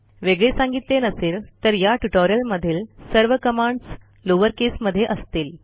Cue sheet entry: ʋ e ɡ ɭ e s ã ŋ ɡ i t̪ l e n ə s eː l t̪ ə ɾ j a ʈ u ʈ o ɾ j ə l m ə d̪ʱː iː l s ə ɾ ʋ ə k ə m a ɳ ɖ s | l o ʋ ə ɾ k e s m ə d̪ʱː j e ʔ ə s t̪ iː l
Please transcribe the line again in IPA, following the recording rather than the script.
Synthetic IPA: ʋ e ɡ ɭ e s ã ŋ ɡ i t̪ l e n ə s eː l t̪ ə ɾ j a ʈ u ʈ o ɾ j ə l m ə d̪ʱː iː l s ə ɾ ʋ ə k ə m a ɳ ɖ s | l o ʋ ə ɾ k e s m ə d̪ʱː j e ʔ ə s t̪ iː l